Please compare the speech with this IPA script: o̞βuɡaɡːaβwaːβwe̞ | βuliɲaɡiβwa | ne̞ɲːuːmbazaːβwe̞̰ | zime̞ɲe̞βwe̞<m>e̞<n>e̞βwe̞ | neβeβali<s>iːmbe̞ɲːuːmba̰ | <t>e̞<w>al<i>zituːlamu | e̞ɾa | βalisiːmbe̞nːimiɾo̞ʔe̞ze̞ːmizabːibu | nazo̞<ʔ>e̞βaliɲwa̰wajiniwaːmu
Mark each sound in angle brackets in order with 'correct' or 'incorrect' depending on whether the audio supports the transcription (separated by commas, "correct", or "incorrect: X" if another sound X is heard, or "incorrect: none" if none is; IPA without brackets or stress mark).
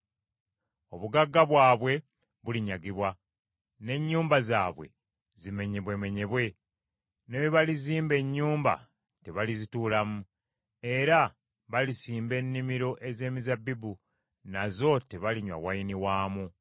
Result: correct, incorrect: ɲ, incorrect: z, correct, incorrect: β, correct, incorrect: t